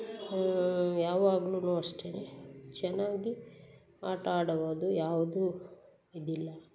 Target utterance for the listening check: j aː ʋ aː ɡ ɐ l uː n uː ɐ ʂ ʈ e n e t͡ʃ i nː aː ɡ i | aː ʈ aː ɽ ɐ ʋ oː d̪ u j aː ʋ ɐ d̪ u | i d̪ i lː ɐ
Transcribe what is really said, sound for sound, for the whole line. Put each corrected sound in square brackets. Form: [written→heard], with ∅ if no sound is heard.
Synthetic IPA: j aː ʋ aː ɡ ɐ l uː n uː ɐ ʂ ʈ e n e t͡ʃ [i→ɛ] nː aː ɡ i | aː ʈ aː ɽ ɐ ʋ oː d̪ u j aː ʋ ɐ d̪ u | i d̪ i lː ɐ